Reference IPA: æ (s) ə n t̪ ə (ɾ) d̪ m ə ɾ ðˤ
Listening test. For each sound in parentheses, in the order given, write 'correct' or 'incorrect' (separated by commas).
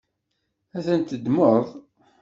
incorrect, incorrect